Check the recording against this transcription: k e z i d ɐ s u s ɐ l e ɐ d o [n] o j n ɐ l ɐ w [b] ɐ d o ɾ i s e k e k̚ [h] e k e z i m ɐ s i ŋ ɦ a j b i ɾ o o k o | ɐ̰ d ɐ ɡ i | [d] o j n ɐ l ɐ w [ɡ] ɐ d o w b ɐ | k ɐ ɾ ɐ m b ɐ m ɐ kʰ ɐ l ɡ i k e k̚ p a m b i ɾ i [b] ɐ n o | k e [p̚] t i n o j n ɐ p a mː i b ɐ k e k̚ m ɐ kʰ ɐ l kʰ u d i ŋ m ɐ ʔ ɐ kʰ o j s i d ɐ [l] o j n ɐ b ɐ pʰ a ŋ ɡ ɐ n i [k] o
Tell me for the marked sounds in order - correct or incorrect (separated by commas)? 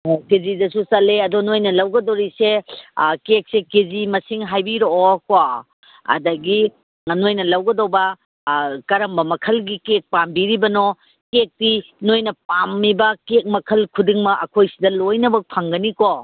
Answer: correct, incorrect, incorrect, incorrect, correct, correct, incorrect, correct, correct